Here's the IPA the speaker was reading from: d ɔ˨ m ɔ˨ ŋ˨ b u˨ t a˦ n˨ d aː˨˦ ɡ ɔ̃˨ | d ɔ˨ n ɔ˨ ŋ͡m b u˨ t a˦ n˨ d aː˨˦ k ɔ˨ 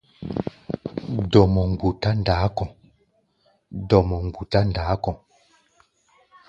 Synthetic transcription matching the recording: d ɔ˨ m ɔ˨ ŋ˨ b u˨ t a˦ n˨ d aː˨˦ k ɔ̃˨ | d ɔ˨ m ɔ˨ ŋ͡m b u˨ t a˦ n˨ d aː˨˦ k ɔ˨